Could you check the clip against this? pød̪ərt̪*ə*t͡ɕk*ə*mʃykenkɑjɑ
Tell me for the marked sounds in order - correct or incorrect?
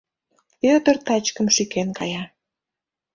incorrect, correct

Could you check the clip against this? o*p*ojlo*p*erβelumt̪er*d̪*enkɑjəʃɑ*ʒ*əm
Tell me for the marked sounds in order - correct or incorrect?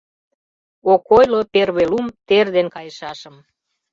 incorrect, correct, correct, incorrect

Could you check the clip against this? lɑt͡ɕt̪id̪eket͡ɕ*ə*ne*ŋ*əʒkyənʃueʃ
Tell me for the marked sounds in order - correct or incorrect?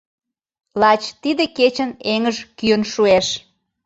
correct, correct

